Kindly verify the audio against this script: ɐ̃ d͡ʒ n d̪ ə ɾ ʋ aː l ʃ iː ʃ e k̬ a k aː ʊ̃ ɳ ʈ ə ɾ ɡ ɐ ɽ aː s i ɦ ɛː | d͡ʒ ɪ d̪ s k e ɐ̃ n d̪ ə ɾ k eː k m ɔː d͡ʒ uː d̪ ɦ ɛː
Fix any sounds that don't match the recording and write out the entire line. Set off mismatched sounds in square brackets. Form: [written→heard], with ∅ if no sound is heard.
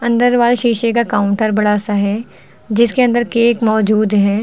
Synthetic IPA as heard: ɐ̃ [d͡ʒ→∅] n d̪ ə ɾ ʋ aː l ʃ iː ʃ e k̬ a k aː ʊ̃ ɳ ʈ ə ɾ [ɡ→b] ɐ ɽ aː s [i→a] ɦ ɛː | d͡ʒ ɪ [d̪→∅] s k e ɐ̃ n d̪ ə ɾ k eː k m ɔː d͡ʒ uː d̪ ɦ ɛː